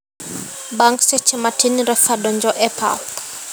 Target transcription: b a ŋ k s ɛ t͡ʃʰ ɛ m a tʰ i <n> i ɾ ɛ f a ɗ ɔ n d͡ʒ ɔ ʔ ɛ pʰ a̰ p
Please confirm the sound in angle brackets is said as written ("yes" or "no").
yes